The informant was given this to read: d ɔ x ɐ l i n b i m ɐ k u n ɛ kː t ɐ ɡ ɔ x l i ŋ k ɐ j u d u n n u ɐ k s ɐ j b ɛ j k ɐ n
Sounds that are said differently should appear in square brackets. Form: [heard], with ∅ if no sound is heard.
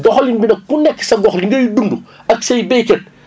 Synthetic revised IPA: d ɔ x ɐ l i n b i [n] ɐ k u n ɛ kː [s] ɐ ɡ ɔ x l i ŋ [ɡ] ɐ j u d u n [d] u ɐ k s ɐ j b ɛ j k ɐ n